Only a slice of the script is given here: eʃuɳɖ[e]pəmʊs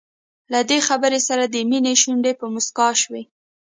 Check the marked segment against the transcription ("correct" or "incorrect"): correct